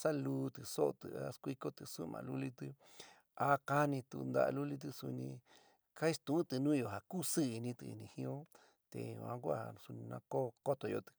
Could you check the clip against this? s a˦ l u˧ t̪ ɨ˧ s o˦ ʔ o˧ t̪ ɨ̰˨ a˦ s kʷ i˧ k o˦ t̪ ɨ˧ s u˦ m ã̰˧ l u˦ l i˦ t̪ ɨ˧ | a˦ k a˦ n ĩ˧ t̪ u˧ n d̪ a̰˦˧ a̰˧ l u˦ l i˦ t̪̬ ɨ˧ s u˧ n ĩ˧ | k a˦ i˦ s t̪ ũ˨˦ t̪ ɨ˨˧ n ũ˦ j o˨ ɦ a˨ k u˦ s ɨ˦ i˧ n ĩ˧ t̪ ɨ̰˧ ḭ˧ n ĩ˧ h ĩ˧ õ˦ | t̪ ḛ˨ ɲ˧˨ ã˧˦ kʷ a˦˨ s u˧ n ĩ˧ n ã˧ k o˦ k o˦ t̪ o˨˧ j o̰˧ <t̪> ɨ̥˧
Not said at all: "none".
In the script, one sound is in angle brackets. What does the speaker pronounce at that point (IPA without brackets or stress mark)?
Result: t̪